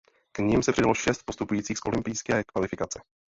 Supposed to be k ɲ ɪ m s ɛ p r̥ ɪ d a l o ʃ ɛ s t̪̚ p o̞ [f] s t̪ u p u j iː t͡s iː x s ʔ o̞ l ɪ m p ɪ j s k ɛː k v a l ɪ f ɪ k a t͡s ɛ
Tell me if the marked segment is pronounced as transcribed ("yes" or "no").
no